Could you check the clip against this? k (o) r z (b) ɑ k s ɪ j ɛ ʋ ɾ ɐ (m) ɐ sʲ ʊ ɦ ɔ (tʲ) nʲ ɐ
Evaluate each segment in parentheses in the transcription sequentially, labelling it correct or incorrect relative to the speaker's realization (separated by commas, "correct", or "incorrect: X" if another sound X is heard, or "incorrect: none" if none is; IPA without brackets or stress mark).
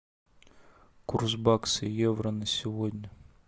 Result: incorrect: u, correct, incorrect: n, incorrect: dʲ